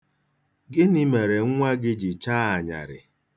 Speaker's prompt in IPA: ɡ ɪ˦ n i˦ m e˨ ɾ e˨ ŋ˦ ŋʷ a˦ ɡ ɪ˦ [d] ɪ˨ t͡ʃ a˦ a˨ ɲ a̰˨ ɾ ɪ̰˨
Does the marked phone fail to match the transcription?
yes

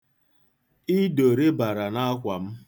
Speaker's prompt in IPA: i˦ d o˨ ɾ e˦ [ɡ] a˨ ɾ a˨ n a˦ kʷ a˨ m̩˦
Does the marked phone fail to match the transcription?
yes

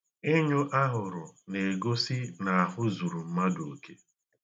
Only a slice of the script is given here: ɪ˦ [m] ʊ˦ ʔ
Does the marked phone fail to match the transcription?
yes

